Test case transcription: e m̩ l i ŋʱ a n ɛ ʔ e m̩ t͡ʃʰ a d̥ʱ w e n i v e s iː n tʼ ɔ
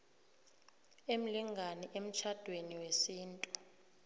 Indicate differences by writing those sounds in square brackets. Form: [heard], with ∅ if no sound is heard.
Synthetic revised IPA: e m̩ l i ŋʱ a n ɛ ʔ e m̩ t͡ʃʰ a d̥ʱ w e n i [w] e s iː n tʼ [u]